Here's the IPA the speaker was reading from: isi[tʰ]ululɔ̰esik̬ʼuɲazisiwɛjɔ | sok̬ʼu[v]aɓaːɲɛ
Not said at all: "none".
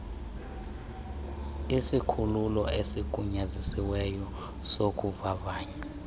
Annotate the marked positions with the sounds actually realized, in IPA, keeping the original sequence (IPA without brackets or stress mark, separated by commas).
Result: kʰ, v